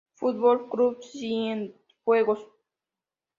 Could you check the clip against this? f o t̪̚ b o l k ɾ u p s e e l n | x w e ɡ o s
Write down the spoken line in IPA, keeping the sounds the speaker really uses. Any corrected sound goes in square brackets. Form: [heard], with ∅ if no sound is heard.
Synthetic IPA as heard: f [u] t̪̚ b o l k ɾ u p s [i] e [∅] n | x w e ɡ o s